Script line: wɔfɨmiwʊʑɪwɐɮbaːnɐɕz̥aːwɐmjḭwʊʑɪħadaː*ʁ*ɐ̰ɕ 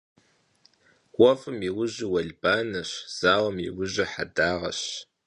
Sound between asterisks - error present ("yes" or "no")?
no